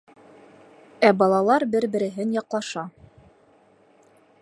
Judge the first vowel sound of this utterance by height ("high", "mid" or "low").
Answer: low